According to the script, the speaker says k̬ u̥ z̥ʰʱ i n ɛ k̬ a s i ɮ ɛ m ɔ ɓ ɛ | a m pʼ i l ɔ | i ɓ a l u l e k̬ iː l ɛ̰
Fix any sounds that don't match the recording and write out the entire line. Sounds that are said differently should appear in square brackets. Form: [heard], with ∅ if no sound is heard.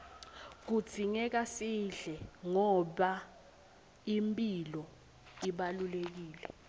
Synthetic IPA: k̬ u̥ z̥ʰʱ i [ŋ] ɛ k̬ a s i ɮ ɛ [ŋ] ɔ ɓ [a] | [i] m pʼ i l ɔ | i ɓ a l u l e k̬ iː l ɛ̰

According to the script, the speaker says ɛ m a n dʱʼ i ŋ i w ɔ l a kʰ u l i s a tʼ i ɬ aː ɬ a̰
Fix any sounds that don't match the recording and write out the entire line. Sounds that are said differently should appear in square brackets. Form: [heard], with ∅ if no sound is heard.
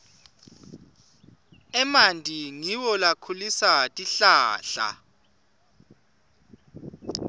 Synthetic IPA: ɛ m a n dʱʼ i ŋ i w ɔ l a kʰ u l i s a tʼ i ɬ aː ɬ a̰

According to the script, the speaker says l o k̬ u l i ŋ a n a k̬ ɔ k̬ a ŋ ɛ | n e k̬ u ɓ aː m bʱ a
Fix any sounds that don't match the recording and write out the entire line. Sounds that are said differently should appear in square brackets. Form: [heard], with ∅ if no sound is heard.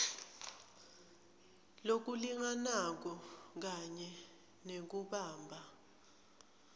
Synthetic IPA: l o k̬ u l i ŋ a n a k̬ ɔ k̬ a [ɲ] ɛ | n e k̬ u ɓ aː m bʱ a

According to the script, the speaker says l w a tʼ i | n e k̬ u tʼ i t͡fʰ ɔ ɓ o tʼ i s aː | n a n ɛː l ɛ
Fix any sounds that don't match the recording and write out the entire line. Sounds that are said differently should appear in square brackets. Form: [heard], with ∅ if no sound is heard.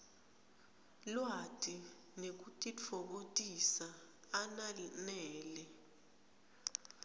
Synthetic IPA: l w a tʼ i | n e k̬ u tʼ i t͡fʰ ɔ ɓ o tʼ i s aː | n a n ɛː l ɛ

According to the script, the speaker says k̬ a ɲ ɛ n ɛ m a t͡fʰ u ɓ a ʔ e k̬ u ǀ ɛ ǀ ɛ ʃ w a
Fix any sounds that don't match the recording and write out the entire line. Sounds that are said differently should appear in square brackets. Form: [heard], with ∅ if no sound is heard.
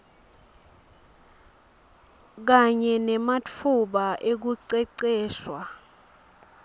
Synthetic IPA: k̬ a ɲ ɛ n ɛ m a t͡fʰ u ɓ a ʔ e k̬ u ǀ ɛ ǀ [ɛː] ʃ w a

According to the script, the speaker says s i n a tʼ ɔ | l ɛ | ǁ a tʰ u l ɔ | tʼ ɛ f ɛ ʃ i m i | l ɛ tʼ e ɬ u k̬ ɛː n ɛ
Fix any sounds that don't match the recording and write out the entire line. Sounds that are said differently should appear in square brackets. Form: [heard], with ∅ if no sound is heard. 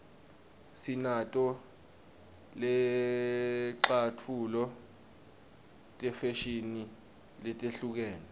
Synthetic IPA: s i n a tʼ ɔ | l ɛ | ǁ a tʰ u l ɔ | tʼ ɛ f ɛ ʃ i [n] i | l ɛ tʼ e ɬ u k̬ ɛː n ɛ

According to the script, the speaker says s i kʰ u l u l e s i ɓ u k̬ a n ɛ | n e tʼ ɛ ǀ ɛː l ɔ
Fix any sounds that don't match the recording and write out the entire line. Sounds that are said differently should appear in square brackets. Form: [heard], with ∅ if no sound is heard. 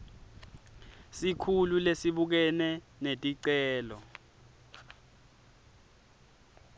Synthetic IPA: s i kʰ u l u l e s i ɓ u k̬ [ɛ] n ɛ | n e tʼ [i] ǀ ɛː l ɔ

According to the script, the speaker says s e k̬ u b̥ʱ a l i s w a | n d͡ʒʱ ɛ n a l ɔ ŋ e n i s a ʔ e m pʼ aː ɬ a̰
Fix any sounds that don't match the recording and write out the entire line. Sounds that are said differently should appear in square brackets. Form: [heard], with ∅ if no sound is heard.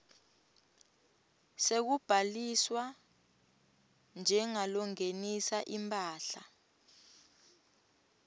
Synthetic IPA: s e k̬ u b̥ʱ a l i s w a | n d͡ʒʱ ɛ [ŋ] a l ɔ ŋ e n i s a ʔ [i] m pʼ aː ɬ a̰

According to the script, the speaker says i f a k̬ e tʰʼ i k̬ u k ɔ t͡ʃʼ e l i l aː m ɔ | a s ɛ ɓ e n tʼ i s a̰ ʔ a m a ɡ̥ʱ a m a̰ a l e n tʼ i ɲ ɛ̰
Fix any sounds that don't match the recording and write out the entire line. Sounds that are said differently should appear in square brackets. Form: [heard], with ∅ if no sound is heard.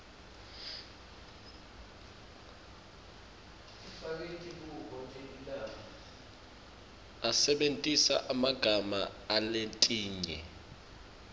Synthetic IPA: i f a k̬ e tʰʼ i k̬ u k ɔ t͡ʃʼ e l i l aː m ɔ | a s ɛ ɓ e n tʼ i s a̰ ʔ a m a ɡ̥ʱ a m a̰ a l e n tʼ [iː] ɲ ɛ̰

